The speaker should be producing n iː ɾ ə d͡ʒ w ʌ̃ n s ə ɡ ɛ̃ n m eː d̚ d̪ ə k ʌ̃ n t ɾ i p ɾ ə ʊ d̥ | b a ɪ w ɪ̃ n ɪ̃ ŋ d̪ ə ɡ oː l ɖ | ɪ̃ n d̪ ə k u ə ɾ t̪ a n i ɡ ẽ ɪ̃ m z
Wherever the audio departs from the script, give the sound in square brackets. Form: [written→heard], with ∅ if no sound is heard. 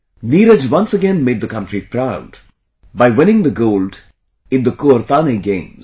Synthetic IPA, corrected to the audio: n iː ɾ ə d͡ʒ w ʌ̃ n s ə ɡ ɛ̃ n m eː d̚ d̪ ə k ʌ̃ n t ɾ i p ɾ [ə→a] ʊ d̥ | b a ɪ w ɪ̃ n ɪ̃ ŋ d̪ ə ɡ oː l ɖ | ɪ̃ n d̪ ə k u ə ɾ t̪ a n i ɡ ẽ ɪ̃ m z